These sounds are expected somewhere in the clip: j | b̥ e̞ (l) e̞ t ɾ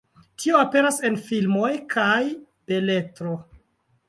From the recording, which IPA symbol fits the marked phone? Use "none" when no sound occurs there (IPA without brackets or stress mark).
l